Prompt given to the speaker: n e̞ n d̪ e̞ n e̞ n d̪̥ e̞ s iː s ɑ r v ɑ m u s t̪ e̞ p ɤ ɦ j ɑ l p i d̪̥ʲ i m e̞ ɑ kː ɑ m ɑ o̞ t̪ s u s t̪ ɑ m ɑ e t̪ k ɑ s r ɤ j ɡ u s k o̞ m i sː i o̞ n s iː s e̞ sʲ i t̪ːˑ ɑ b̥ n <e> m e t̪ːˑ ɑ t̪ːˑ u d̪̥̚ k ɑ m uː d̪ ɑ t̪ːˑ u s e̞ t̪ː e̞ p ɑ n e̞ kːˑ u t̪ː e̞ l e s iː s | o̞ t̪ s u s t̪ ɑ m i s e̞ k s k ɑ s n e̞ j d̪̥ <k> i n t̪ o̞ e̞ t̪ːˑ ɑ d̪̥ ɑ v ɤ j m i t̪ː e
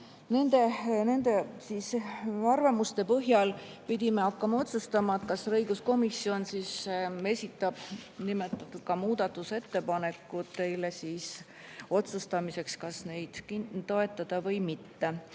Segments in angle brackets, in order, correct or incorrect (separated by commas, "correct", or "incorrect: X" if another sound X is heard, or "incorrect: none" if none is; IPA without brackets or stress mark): incorrect: i, correct